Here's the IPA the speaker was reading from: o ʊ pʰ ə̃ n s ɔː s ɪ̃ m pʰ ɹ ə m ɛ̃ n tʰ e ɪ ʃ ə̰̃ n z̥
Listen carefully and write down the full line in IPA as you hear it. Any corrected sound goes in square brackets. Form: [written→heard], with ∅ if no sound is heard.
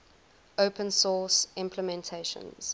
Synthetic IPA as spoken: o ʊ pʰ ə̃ n s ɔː s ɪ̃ m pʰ [ɹ→l] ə m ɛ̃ n tʰ e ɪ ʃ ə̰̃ n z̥